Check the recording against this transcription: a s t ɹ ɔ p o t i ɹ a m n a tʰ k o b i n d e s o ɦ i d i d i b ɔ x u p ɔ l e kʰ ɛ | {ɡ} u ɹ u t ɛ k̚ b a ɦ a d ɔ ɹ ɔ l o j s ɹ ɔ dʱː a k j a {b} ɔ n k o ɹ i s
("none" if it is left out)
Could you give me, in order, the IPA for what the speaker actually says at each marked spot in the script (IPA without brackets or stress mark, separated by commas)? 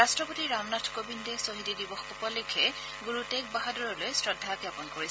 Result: ɡ, p